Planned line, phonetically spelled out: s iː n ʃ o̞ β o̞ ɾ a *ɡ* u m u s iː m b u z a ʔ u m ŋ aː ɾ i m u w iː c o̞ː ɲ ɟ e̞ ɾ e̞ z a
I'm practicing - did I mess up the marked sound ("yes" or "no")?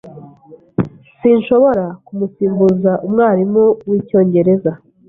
yes